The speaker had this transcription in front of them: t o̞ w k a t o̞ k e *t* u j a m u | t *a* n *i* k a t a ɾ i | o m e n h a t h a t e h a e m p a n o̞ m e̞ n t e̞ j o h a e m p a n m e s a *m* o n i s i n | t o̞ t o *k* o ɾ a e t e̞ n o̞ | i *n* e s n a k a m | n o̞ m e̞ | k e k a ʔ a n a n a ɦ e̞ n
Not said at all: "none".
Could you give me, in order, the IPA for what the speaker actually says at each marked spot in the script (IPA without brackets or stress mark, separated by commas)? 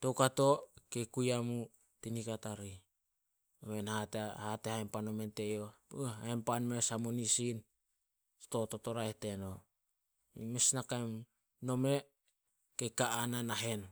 k, i, i, m, t, m